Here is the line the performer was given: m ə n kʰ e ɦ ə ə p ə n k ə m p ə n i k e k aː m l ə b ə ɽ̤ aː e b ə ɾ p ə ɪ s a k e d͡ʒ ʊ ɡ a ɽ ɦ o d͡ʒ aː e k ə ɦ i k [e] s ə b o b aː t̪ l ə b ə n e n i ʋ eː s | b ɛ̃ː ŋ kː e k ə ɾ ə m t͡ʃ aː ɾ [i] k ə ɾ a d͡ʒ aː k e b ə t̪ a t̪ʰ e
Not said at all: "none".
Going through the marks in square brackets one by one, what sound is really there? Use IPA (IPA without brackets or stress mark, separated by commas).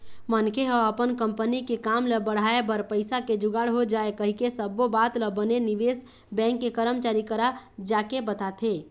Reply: e, i